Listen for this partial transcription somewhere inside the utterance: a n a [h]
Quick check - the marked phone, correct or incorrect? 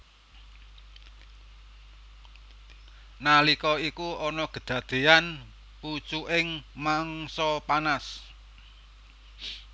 incorrect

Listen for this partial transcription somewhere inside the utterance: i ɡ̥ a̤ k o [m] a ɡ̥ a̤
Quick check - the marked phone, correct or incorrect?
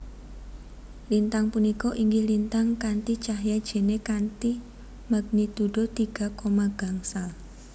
correct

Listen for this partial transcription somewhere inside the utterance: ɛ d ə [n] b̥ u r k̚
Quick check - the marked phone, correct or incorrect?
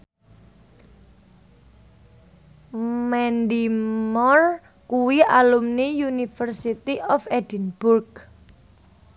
correct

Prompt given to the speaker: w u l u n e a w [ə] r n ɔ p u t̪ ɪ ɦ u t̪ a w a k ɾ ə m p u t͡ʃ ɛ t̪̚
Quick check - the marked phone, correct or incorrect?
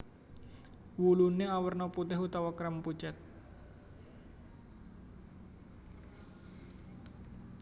correct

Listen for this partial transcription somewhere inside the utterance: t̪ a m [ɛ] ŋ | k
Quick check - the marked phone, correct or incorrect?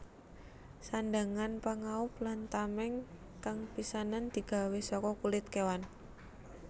correct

